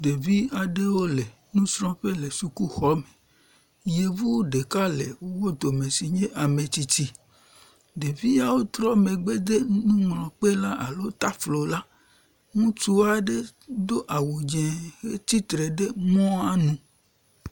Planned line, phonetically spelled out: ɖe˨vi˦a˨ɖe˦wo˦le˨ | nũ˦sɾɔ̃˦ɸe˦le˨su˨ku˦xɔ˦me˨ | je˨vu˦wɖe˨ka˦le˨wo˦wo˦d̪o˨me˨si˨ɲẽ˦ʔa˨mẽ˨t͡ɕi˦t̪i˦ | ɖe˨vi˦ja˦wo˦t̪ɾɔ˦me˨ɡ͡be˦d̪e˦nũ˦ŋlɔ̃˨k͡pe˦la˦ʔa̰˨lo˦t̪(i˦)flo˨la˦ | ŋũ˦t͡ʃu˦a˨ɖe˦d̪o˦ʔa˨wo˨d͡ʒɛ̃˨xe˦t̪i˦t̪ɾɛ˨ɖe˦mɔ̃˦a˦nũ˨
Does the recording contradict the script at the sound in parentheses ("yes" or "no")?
yes